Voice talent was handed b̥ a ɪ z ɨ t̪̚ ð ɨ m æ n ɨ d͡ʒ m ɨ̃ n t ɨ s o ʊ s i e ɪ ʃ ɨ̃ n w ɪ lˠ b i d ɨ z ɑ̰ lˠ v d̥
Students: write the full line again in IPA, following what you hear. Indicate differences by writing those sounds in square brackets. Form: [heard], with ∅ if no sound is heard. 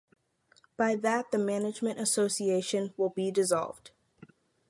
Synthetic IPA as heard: b̥ a ɪ [ð] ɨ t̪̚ ð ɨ m æ n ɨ d͡ʒ m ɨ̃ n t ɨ s o ʊ s i e ɪ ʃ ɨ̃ n w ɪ lˠ b i d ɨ z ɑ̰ lˠ v d̥